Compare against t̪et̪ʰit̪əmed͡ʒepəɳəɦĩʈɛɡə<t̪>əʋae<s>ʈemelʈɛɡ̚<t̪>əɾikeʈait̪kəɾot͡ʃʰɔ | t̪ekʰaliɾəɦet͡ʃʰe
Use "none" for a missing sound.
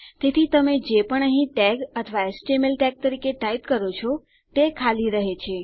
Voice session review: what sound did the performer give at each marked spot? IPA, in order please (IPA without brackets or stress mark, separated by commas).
t̪ʰ, s, t̪